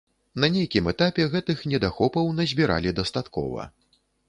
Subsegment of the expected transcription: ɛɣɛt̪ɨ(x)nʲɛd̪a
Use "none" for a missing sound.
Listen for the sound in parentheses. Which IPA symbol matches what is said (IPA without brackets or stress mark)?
x